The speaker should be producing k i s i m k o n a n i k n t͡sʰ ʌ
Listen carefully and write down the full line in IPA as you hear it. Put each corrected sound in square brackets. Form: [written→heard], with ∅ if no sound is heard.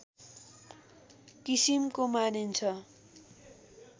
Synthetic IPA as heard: k i s i m k o [n→m] a n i [k→∅] n t͡sʰ ʌ